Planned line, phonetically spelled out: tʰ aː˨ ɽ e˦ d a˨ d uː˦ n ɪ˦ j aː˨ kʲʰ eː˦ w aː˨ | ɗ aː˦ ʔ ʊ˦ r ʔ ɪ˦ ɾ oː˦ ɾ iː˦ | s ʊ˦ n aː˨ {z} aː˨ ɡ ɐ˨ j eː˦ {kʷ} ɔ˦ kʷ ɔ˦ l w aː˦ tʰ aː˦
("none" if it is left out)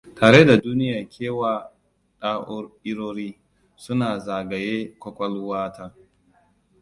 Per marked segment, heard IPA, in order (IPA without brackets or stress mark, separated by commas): z, kʷ